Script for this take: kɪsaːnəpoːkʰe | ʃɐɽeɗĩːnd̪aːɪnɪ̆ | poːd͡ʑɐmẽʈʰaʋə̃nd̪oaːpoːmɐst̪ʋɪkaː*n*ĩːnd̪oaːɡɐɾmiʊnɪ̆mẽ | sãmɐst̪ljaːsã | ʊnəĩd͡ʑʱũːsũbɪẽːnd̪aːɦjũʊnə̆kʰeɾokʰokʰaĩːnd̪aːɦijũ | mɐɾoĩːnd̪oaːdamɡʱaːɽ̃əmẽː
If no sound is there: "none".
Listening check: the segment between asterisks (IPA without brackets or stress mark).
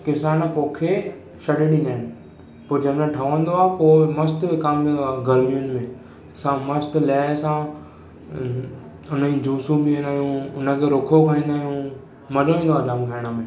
m